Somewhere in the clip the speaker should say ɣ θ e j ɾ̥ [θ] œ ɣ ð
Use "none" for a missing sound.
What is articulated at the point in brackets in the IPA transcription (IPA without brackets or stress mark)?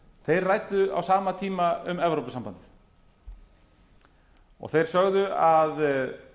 s